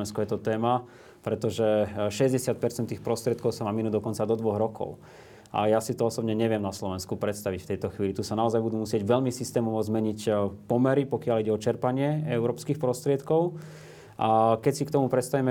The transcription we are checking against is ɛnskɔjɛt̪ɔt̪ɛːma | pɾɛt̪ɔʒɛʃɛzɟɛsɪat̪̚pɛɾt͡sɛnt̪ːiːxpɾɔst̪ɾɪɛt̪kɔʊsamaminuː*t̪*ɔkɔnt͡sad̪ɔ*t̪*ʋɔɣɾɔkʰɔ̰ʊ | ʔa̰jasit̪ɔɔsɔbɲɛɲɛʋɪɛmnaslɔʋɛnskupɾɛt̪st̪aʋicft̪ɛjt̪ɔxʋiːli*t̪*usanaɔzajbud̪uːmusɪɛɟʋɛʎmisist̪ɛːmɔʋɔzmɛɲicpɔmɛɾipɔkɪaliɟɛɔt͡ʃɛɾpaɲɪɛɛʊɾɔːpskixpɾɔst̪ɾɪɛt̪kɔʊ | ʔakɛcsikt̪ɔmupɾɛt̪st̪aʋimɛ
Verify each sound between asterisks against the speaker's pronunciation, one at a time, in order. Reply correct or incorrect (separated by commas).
incorrect, incorrect, correct